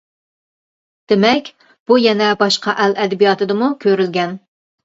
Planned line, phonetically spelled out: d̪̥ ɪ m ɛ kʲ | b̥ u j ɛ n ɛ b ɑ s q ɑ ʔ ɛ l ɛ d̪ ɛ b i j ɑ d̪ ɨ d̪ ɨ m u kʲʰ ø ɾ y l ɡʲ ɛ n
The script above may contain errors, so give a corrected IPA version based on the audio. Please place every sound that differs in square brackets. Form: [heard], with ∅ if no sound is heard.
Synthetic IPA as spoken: d̪̥ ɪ m ɛ kʲ | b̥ u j ɛ n ɛ b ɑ [ʃ] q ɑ ʔ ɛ l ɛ d̪ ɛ b i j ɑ [t̪] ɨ d̪ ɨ m u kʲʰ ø ɾ y l ɡʲ ɛ n